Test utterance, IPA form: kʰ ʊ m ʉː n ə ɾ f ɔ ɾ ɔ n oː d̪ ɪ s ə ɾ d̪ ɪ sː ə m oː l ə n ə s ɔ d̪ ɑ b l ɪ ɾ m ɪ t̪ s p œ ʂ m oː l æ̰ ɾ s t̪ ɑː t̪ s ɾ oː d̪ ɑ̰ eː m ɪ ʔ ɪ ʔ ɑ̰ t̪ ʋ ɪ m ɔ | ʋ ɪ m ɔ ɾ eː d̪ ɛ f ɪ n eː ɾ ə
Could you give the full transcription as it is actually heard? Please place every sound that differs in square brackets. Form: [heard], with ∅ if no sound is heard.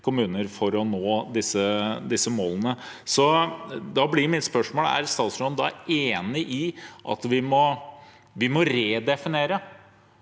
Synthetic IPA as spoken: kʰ ʊ m ʉː n ə ɾ f ɔ ɾ ɔ n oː d̪ ɪ s ə [∅] d̪ ɪ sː ə m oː l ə n ə s ɔ d̪ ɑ b l ɪ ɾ m ɪ t̪ s p œ ʂ m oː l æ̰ ɾ s t̪ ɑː t̪ s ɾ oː d̪ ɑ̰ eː [n] ɪ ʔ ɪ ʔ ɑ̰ t̪ ʋ ɪ m ɔ | ʋ ɪ m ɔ ɾ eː d̪ ɛ f ɪ n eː ɾ ə